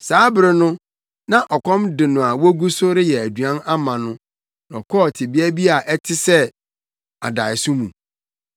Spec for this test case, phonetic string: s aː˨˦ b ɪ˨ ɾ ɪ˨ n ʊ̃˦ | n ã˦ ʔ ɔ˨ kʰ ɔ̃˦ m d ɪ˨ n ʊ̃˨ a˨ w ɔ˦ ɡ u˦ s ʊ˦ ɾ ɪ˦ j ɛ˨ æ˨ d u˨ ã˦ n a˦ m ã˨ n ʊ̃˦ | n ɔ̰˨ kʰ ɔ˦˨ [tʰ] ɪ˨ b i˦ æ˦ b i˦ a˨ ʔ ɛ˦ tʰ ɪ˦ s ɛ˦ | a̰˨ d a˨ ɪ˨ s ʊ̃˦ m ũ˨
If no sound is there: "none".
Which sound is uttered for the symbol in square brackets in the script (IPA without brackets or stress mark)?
tʰ